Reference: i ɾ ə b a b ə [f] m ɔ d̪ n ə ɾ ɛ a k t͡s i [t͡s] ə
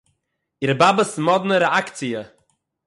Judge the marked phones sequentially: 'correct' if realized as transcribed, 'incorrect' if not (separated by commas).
incorrect, incorrect